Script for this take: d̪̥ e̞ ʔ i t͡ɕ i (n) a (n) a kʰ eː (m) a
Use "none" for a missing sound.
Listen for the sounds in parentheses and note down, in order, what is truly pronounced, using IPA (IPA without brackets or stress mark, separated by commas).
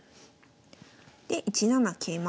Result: n, n, m